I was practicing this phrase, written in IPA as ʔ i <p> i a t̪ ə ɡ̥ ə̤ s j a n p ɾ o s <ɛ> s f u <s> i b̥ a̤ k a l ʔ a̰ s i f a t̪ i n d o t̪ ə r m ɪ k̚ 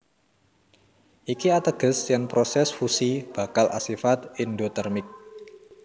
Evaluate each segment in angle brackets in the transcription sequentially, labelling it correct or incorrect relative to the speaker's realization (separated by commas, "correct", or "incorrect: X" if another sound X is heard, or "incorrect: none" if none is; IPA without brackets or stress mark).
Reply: incorrect: k, correct, correct